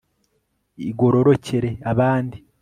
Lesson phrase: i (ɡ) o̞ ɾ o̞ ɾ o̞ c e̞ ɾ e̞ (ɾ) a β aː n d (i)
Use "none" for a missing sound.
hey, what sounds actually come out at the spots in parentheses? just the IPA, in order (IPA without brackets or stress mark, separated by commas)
ɡ, none, i